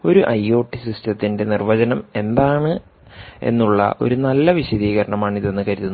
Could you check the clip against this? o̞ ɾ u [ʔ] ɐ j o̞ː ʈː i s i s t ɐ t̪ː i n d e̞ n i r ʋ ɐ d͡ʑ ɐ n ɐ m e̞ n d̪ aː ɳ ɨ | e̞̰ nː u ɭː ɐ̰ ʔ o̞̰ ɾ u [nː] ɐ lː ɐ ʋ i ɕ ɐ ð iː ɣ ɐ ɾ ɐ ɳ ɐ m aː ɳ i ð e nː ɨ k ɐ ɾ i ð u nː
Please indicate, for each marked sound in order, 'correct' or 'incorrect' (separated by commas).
correct, incorrect